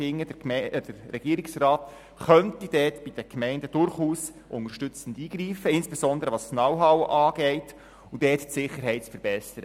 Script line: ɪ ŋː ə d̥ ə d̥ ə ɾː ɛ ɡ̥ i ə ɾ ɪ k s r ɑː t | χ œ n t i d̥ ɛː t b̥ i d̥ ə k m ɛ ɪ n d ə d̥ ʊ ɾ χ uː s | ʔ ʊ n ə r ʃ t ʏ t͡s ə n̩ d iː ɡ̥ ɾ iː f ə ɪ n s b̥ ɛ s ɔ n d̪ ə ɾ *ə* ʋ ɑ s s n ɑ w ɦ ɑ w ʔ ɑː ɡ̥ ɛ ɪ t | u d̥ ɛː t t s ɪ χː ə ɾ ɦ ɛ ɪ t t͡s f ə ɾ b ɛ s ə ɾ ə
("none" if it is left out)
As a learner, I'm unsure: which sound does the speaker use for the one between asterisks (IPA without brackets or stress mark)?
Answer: ə